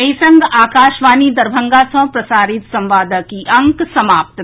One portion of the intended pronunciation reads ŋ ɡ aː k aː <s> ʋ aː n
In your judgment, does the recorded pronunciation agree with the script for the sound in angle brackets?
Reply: no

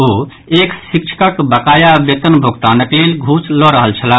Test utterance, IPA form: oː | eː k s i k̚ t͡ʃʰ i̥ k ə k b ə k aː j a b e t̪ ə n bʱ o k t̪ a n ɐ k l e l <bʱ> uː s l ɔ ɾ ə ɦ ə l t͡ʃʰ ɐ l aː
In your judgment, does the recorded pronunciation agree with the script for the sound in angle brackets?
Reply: no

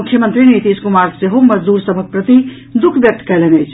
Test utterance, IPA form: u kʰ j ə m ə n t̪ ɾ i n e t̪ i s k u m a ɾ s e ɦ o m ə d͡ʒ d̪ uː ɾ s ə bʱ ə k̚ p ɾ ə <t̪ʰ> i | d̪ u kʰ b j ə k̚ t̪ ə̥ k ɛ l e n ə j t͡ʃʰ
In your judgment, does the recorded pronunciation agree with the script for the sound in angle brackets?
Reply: no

